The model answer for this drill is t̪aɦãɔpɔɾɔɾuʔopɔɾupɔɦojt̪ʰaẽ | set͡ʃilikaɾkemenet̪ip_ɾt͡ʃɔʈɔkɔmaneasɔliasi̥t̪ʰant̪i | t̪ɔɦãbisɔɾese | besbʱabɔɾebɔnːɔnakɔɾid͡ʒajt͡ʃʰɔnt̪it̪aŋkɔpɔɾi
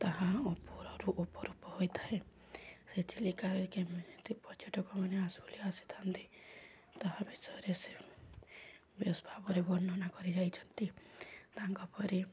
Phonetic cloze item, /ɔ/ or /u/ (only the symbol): ɔ